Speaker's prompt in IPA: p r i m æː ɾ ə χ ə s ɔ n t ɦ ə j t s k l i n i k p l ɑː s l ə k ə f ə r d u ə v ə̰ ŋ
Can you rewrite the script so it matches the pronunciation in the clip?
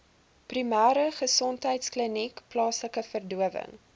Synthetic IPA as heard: p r i m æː ɾ ə χ ə s ɔ n t ɦ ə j t s k l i n i k p l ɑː s l ə k ə f ə r d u ə v ə̰ ŋ